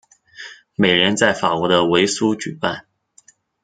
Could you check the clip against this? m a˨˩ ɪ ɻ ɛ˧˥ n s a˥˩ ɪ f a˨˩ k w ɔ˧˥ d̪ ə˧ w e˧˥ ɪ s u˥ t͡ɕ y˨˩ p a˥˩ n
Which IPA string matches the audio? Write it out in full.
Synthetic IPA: m e˨˩ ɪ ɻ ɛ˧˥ n t͡s a˥˩ ɪ f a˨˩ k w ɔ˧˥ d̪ ə˧ w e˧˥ ɪ s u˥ t͡ɕ y˨˩ p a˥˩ n

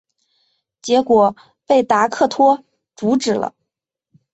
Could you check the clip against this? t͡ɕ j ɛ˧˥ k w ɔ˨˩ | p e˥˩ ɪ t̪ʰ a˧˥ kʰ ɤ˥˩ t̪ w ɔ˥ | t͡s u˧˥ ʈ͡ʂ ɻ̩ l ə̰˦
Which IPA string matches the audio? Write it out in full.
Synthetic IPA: t͡ɕ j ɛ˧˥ k w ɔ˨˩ | p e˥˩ ɪ t̪ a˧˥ kʰ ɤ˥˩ t̪ʰ w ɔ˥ | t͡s u˧˥ ʈ͡ʂ ɻ̩ l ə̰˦

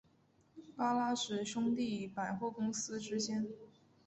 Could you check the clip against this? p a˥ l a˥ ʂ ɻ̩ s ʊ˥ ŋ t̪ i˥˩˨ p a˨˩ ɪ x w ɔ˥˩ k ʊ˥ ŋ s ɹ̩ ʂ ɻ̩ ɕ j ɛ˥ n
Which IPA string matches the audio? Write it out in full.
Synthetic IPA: p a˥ l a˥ ʂ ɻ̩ ʂ ʊ˥ ŋ t̪ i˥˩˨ p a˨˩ ɪ x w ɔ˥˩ k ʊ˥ ŋ s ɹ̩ ʈ͡ʂ ɻ̩ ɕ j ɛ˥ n

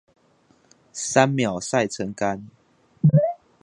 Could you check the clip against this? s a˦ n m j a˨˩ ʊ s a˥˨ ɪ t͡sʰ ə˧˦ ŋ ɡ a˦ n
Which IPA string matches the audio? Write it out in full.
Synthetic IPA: s a˦ n m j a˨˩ ʊ s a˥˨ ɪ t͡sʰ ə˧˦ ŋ k a˦ n

